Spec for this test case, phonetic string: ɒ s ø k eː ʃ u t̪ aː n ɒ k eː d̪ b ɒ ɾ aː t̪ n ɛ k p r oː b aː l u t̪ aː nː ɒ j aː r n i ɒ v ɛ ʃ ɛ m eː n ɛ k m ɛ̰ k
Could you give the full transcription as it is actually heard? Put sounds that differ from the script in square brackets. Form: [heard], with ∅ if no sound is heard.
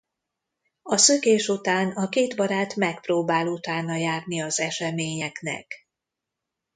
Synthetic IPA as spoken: ɒ s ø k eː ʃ u t̪ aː n ɒ k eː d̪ b ɒ ɾ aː t̪ [m] ɛ k p r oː b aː l u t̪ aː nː ɒ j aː r n i ɒ [z] ɛ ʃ ɛ m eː [ɲ] ɛ k [n] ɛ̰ k